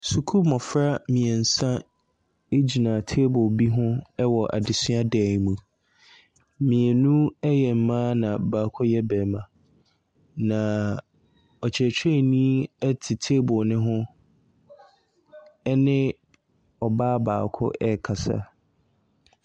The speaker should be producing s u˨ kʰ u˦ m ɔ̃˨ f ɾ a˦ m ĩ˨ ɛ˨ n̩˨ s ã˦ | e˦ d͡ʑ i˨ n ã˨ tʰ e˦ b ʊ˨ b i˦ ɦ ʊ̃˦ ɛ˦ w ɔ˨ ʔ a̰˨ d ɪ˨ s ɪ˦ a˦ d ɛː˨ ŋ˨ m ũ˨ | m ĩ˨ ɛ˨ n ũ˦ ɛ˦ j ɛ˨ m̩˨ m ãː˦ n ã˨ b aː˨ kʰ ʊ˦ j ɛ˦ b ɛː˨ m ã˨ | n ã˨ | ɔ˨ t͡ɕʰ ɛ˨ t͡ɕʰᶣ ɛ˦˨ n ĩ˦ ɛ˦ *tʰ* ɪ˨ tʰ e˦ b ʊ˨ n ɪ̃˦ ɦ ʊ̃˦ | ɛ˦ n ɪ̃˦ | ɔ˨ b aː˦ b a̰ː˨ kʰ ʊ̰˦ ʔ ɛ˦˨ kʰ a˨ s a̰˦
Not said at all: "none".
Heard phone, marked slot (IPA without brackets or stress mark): tʰ